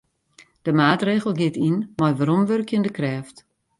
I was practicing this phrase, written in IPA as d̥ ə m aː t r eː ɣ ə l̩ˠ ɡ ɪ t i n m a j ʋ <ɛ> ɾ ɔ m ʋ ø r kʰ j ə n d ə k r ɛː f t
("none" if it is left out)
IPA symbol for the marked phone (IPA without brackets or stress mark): a